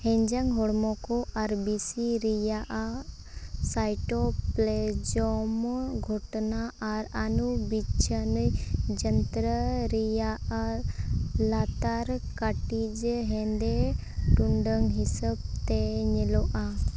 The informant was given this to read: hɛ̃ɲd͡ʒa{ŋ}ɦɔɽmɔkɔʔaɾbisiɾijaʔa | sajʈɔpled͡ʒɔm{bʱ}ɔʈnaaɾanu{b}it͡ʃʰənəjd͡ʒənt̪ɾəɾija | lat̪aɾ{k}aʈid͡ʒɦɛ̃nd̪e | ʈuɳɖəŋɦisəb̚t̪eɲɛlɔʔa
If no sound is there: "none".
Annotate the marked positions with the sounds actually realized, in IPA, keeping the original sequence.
ŋ, ɡʱ, b, k

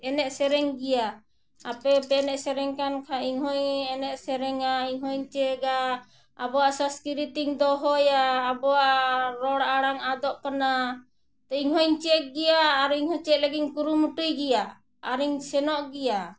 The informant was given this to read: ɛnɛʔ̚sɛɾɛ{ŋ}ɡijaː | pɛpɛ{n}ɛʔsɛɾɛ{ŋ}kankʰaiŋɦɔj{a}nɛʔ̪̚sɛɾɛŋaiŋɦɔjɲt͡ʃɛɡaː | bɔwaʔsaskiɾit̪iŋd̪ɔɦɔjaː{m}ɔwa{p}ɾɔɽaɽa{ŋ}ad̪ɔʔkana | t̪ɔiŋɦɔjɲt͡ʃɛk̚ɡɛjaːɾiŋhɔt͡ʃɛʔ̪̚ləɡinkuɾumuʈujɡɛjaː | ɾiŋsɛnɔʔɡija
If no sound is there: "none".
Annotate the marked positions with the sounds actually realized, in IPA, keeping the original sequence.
ŋ, n, ŋ, ɛ, b, ʔ, ŋ

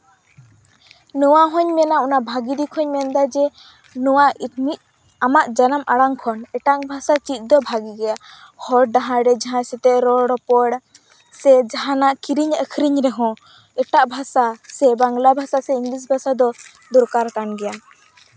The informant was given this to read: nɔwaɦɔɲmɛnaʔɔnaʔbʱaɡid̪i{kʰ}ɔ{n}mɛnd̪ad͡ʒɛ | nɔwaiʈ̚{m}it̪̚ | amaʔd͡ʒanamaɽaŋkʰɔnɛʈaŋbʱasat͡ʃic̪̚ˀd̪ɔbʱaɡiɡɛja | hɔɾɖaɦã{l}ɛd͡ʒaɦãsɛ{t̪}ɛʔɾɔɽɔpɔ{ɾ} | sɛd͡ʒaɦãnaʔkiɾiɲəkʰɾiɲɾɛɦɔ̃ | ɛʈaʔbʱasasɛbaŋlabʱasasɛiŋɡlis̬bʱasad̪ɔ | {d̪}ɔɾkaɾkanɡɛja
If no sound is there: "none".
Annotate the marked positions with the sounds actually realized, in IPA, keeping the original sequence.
kʰ, ɲ, m, ɾ, t̪, ɽ, d̪

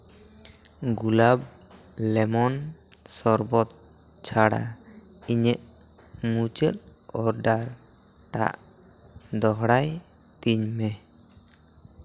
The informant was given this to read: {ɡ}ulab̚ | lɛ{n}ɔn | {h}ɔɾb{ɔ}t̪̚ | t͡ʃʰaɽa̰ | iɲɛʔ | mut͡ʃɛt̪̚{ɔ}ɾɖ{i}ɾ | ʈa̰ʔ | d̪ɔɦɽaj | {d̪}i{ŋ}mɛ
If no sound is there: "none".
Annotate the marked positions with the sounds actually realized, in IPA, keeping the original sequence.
ɡ, m, s, ɔ, ɔ, a, t̪, ɲ

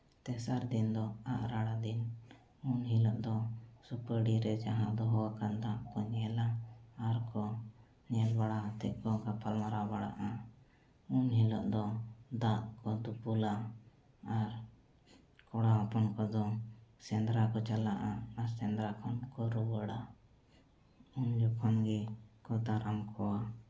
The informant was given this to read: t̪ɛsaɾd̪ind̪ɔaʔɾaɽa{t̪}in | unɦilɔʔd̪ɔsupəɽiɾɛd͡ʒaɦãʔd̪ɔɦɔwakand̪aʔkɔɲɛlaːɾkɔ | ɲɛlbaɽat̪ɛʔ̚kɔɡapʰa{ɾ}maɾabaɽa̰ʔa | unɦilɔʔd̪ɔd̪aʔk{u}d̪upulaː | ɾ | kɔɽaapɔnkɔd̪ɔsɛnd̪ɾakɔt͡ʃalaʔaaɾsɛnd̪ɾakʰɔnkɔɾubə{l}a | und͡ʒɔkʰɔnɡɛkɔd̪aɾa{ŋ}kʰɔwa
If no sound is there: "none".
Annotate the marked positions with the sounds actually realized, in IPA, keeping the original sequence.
d̪, l, ɔ, ɽ, m

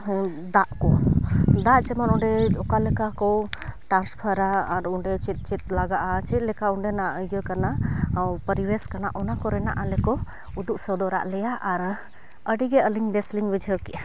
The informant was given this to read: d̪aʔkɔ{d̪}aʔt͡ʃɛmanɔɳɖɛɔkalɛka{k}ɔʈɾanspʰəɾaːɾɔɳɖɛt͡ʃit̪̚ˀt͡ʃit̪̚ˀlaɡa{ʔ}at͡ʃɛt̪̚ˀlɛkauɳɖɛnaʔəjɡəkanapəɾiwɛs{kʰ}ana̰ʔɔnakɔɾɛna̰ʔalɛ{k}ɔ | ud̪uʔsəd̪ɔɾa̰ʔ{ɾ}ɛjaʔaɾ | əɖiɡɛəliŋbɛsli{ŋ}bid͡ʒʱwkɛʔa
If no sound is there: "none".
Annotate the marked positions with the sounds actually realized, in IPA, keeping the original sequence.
d̪, k, ʔ, k, k, l, ŋ

